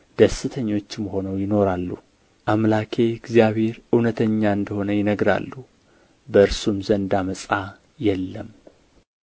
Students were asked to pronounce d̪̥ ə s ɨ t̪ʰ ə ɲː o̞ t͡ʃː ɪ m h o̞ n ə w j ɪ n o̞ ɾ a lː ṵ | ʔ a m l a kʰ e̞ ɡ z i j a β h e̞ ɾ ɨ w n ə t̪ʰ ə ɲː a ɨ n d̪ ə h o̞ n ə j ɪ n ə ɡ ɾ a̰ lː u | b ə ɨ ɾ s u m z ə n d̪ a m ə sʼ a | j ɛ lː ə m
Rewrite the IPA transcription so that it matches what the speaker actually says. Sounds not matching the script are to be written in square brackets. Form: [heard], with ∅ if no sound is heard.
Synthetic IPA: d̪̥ ə s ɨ t̪ʰ ə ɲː o̞ t͡ʃː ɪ m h o̞ n ə w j ɪ n o̞ ɾ a lː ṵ | ʔ a m l a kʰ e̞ ɡ z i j a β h e̞ ɾ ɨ w n ə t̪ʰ ə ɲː a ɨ n d̪ ə h o̞ n ə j ɪ n ə ɡ ɾ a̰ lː u | b ə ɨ ɾ s u m z ə n d̪ a m ə sʼ a | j ɛ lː ə m